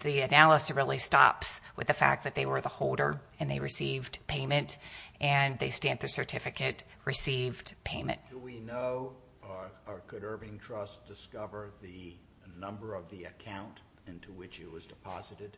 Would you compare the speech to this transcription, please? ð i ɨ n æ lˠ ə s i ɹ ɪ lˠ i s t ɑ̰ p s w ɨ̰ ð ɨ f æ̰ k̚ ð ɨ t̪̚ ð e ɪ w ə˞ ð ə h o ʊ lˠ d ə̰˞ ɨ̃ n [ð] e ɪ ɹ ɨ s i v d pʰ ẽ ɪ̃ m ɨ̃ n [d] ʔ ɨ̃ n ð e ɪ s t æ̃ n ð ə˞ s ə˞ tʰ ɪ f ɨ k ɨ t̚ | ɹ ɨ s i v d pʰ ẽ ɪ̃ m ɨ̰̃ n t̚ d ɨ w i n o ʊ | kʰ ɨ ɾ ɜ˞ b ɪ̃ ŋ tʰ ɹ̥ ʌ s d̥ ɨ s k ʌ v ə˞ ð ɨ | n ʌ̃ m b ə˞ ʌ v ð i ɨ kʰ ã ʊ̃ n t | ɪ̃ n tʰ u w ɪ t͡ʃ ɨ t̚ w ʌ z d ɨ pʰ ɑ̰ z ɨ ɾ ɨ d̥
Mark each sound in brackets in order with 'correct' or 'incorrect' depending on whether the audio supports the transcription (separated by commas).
correct, incorrect